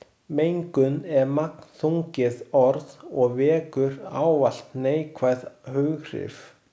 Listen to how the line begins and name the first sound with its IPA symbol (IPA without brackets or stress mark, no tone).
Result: m